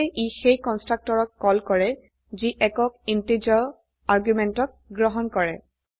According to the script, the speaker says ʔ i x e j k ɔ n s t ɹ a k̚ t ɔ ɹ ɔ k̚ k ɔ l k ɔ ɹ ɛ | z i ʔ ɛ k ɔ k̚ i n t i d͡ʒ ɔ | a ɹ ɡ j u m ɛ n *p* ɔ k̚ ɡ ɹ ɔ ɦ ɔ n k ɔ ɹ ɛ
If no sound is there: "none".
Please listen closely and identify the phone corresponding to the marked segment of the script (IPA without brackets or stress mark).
t